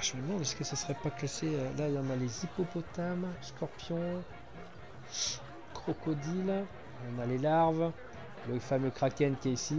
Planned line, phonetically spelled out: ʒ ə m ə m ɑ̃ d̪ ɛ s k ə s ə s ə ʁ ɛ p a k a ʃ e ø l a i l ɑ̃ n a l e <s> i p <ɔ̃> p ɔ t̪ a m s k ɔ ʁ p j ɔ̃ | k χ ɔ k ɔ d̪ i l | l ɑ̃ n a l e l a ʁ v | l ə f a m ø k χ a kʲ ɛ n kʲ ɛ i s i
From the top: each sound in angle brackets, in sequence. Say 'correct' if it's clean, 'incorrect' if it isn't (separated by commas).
incorrect, incorrect